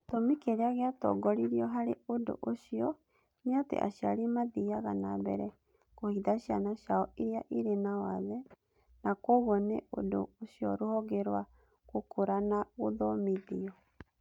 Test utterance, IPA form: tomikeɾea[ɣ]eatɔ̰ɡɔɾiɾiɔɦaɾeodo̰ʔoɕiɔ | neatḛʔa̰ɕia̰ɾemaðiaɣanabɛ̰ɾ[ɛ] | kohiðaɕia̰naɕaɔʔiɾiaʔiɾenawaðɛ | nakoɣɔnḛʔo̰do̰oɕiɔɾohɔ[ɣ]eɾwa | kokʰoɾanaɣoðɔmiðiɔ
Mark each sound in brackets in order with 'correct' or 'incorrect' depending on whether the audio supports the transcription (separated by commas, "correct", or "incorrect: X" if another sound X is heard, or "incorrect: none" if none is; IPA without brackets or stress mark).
correct, correct, correct